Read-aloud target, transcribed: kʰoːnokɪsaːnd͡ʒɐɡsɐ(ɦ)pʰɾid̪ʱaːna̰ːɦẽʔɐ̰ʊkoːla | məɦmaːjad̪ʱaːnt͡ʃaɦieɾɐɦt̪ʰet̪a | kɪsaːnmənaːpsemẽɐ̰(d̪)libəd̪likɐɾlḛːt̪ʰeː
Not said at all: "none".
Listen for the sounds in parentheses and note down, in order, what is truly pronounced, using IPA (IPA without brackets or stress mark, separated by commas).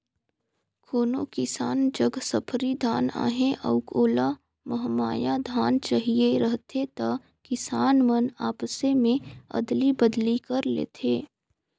none, d̪